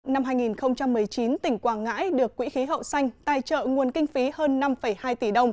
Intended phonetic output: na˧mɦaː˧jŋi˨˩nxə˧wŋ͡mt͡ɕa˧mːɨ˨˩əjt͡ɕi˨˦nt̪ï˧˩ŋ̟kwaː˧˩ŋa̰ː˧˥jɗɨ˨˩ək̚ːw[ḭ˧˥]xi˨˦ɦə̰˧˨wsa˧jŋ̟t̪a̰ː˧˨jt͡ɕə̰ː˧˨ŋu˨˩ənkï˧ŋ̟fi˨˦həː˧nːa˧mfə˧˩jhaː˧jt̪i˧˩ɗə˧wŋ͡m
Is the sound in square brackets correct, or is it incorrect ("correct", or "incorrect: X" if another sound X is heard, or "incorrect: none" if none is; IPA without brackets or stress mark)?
correct